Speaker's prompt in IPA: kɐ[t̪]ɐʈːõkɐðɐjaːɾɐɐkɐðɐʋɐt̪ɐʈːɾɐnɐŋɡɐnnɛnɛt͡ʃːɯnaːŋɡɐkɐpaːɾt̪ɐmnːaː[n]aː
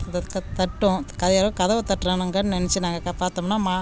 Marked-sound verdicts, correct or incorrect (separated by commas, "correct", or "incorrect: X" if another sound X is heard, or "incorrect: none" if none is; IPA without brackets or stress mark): correct, incorrect: m